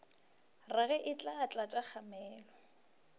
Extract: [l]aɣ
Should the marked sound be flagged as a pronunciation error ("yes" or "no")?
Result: yes